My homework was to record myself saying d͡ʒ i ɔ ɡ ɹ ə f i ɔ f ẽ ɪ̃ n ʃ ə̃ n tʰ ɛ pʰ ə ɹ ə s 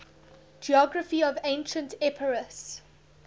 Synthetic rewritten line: d͡ʒ i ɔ ɡ ɹ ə f i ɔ v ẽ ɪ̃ n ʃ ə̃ n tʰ ɛ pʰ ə ɹ ə s